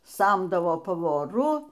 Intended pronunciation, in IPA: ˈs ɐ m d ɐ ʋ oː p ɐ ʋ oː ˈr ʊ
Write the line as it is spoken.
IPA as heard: ˈs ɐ m d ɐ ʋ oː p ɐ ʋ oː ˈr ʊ

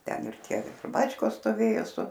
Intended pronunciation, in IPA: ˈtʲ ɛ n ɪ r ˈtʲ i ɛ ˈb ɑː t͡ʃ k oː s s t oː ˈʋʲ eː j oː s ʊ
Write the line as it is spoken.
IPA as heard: ˈtʲ ɛ n ɪ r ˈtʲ i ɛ ˈb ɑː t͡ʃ k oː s s t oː ˈʋʲ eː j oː s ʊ

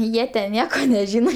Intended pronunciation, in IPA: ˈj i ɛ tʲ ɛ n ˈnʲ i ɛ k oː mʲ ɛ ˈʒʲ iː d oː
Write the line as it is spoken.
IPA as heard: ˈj i ɛ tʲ ɛ n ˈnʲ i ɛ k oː nʲ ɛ ˈʒʲ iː n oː

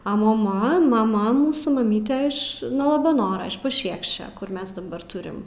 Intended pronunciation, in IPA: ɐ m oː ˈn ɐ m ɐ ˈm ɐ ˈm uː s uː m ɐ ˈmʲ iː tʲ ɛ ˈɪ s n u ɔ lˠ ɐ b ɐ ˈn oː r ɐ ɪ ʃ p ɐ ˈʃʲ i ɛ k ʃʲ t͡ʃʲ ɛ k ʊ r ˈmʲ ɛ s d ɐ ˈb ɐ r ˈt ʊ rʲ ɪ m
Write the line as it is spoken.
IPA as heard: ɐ m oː ˈm ɐ m ɐ ˈm ɐ ˈm uː s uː m ɐ ˈmʲ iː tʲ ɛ ˈɪ ʃ n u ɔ lˠ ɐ b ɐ ˈn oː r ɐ ɪ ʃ p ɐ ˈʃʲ i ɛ k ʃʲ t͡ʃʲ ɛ k ʊ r ˈmʲ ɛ s d ɐ ˈb ɐ r ˈt ʊ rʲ ɪ m

